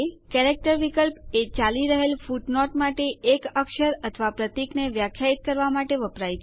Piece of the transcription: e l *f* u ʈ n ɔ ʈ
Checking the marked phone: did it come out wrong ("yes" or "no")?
no